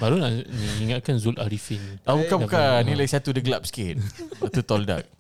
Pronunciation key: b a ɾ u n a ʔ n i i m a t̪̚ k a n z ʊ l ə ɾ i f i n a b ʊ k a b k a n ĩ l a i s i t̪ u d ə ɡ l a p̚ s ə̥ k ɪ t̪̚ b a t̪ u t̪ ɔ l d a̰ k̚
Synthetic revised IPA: b a ɾ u n a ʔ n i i ŋ a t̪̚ k a n z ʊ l a ɾ i f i n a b u k a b k a n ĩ l a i s a t̪ u d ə ɡ l a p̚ s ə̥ k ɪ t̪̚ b a t̪ u t̪ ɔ l d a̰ k̚